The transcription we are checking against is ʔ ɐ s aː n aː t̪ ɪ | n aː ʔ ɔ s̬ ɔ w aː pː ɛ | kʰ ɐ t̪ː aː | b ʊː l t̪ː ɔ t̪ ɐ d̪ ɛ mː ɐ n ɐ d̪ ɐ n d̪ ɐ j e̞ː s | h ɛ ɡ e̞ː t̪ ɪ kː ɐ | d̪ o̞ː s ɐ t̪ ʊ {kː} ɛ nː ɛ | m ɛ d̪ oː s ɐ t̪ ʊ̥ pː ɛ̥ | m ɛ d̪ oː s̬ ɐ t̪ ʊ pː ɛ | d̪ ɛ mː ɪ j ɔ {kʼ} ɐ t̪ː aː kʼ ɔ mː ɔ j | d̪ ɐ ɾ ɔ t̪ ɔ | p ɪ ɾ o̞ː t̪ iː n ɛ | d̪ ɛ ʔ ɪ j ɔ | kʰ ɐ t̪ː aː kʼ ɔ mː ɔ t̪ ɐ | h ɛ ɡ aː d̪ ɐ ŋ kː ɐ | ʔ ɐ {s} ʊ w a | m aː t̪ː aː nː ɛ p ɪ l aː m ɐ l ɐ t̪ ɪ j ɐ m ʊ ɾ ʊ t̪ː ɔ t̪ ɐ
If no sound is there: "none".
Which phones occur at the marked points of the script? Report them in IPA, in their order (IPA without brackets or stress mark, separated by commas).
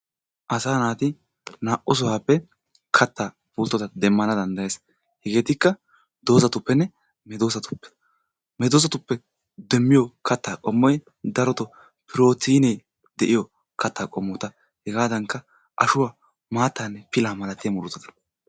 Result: pː, k, ʃ